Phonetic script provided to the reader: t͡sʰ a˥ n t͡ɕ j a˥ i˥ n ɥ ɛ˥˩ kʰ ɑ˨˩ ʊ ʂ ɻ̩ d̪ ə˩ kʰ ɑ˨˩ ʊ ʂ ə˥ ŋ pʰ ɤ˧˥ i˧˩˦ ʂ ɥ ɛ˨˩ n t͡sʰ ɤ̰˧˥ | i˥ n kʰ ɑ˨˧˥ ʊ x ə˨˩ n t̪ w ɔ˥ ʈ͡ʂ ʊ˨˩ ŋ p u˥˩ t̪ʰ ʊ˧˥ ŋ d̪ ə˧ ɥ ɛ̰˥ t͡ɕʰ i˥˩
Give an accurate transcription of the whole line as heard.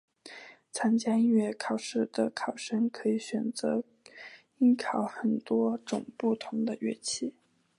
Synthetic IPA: t͡sʰ a˥ n t͡ɕ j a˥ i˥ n ɥ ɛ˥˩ kʰ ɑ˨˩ ʊ ʂ ɻ̩ d̪ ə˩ kʰ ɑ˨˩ ʊ ʂ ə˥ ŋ kʰ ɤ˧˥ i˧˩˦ ɕ ɥ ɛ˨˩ n t͡s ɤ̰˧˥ | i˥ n kʰ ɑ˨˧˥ ʊ x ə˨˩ n t̪ w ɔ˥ ʈ͡ʂ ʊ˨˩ ŋ p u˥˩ t̪ʰ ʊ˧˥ ŋ d̪ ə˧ ɥ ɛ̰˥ t͡ɕʰ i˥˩